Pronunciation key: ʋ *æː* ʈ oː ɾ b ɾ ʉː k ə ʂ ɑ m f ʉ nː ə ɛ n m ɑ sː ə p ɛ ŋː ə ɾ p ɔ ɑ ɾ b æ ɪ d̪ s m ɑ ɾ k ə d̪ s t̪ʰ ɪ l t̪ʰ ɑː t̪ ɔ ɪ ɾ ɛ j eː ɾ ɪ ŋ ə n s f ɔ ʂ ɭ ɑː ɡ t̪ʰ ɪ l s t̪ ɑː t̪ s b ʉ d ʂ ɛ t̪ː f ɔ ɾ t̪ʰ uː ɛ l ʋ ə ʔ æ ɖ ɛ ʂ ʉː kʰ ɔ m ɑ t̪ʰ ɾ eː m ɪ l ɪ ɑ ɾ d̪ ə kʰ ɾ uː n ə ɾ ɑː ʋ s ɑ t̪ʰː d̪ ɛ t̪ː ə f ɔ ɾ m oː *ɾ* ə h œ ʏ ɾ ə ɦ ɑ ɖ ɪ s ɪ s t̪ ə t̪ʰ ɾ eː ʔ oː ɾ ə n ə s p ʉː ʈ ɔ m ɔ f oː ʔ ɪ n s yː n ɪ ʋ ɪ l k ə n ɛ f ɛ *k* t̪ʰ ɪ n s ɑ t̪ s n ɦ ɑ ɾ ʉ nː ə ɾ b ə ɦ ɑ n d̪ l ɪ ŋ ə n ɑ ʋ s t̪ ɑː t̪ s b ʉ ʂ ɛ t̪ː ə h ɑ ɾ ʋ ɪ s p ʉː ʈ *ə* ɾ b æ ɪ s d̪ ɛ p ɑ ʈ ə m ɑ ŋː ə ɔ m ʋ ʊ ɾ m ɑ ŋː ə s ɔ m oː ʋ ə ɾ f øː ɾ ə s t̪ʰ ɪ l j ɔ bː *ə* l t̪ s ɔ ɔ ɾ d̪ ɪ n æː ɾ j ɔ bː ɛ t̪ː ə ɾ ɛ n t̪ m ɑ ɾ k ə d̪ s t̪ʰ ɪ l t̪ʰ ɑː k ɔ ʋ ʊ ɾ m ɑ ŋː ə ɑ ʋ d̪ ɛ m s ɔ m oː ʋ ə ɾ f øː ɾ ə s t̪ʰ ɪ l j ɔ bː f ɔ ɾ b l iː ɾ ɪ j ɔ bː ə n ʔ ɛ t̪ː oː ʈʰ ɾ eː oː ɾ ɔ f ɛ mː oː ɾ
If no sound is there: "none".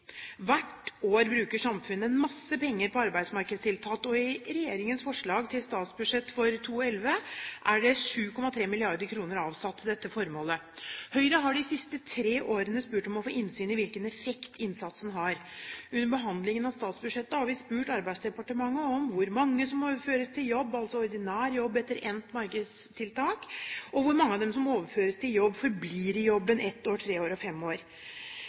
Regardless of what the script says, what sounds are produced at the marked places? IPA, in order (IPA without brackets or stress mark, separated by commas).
æ, l, k, ɑ, ɑ